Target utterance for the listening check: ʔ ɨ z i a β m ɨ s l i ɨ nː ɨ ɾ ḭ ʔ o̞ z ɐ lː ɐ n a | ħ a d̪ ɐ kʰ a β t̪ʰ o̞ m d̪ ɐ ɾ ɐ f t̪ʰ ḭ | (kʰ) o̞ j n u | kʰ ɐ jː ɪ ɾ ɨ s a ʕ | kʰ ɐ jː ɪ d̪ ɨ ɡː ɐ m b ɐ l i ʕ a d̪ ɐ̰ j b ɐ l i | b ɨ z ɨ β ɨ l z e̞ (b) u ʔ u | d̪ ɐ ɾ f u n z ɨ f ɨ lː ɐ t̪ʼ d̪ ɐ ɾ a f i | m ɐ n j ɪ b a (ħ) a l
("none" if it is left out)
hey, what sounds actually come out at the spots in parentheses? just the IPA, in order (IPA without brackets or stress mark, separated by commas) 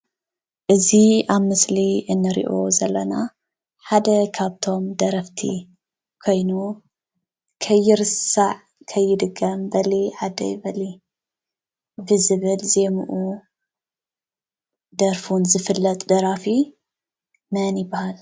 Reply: kʰ, m, h